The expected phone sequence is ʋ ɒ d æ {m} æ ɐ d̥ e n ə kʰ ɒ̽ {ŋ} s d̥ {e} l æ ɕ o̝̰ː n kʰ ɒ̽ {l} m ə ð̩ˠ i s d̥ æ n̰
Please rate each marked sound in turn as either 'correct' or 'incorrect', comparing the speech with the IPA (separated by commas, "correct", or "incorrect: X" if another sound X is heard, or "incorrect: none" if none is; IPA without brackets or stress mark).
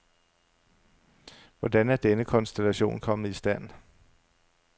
incorrect: n, incorrect: n, correct, incorrect: none